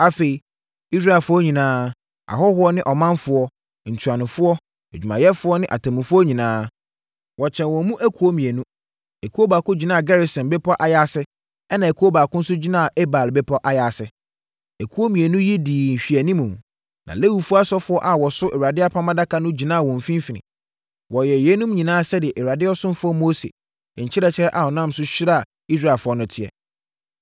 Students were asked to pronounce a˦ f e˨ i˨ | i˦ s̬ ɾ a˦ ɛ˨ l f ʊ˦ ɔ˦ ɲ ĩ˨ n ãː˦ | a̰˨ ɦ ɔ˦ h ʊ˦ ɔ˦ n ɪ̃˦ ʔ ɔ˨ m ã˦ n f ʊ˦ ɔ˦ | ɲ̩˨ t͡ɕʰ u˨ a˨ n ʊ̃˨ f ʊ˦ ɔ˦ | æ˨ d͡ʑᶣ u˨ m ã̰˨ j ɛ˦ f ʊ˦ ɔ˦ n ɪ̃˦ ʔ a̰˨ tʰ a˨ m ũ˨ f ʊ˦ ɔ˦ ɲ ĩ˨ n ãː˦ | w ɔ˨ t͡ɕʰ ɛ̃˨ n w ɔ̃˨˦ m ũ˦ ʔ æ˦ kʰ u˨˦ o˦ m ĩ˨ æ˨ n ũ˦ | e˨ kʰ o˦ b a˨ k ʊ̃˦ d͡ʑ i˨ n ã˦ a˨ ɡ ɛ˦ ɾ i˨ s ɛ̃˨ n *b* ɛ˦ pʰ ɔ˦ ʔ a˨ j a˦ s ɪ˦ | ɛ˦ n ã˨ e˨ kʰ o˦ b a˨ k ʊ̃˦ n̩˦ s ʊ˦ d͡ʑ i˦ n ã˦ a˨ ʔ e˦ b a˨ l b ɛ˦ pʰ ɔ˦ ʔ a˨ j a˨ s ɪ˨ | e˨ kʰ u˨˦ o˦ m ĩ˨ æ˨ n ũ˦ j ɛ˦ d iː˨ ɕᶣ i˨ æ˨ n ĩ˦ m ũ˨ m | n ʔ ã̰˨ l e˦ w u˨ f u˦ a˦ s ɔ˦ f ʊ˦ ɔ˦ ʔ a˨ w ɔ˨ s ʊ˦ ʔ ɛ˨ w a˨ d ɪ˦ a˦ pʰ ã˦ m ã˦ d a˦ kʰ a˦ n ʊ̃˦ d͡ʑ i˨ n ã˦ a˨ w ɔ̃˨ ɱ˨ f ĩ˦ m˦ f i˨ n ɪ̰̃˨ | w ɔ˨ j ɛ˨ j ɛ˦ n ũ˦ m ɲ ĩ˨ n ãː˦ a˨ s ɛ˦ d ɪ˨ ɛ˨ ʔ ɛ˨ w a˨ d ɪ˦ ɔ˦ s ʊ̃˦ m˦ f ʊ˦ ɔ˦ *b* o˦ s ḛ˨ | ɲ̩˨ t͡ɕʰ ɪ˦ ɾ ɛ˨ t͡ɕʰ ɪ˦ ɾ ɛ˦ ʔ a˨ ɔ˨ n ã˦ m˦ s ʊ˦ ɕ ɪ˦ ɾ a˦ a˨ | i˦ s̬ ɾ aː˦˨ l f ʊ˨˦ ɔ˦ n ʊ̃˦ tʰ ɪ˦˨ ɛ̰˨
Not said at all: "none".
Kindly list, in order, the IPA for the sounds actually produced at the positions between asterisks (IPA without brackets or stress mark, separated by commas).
b, m